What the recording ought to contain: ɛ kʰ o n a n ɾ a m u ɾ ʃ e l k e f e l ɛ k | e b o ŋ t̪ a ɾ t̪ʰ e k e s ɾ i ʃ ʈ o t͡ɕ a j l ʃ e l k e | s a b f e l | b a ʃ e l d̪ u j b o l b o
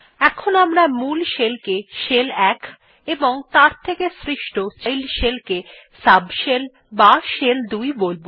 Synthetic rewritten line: ɛ kʰ o n a m ɾ a m u l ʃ e l k e ʃ e l ɛ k | e b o ŋ t̪ a ɾ t̪ʰ e k e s ɾ i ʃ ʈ o t͡ɕ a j l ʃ e l k e | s a b ʃ e l | b a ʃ e l d̪ u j b o l b o

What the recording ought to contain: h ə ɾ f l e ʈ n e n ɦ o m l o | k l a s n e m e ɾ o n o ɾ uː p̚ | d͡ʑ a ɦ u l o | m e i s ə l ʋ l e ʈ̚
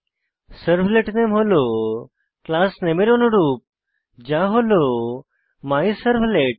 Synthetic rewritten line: s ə ɾ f l e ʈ n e m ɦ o l o | k l a s n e m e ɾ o n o ɾ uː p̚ | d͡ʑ a ɦ o l o | m a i s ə ɾ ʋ l e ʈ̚

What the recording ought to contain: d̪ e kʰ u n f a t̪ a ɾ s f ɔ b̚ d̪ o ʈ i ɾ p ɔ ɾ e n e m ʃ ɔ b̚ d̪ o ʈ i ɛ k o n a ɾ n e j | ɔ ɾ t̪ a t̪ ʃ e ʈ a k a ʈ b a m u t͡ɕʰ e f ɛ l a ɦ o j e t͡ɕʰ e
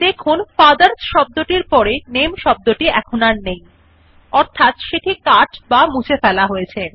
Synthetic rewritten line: d̪ e kʰ u n f a d̪ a ɾ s ʃ ɔ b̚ d̪ o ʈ i ɾ p ɔ ɾ e n e m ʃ ɔ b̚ d̪ o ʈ i ɛ kʰ o n a ɾ n e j | ɔ ɾ t̪ʰ a t̪ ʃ e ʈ i k a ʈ b a m u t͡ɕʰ e f ɛ l a ɦ o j e t͡ɕʰ e

